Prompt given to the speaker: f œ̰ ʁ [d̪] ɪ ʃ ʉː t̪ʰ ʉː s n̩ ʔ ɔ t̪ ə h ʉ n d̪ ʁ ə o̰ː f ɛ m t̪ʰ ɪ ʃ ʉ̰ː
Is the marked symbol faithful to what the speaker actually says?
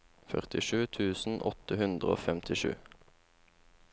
no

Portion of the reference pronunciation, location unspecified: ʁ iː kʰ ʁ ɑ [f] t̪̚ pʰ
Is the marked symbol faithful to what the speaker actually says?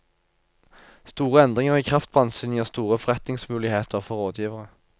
yes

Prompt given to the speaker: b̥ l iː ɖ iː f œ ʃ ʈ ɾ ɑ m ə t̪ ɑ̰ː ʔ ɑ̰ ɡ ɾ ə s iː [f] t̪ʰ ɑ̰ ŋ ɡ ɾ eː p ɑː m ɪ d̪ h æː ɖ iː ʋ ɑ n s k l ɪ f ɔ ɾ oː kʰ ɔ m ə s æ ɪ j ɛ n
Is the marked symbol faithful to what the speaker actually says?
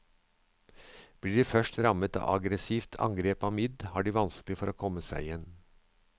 yes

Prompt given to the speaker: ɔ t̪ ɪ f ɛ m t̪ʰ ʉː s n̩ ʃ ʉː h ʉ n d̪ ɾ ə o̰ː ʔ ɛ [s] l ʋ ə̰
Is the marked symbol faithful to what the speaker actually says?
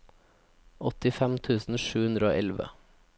no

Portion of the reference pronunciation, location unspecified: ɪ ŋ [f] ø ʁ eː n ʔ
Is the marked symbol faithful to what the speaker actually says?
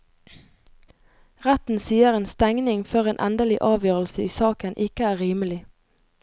yes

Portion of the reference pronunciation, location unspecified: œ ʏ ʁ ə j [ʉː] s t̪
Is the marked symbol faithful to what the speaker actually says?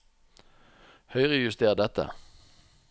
no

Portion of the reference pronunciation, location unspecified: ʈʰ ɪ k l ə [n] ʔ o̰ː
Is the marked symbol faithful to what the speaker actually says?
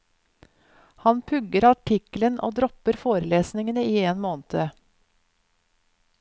yes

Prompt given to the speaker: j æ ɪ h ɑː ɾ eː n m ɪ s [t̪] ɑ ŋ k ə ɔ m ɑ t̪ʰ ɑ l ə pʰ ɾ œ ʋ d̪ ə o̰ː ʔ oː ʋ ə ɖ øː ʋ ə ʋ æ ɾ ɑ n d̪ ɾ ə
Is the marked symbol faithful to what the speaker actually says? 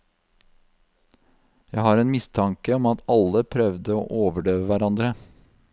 no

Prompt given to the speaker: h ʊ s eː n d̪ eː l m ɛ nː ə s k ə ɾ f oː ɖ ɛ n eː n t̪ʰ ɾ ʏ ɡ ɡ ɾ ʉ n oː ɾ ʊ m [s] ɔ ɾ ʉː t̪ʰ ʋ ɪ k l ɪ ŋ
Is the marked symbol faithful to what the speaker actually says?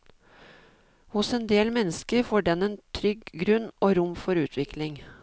no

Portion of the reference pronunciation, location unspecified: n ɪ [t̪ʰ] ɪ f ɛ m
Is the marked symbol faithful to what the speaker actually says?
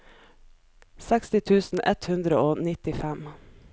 no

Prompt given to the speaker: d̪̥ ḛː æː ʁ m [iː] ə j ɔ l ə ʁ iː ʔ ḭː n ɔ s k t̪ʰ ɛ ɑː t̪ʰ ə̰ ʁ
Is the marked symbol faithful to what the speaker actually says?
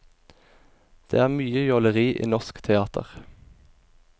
no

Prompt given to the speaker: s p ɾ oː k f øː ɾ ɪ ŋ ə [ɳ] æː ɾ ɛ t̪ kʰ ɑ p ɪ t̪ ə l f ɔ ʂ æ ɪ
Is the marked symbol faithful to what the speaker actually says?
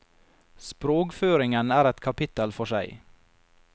no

